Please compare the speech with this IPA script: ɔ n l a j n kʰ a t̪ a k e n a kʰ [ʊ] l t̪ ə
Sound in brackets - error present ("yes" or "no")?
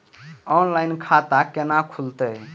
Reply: yes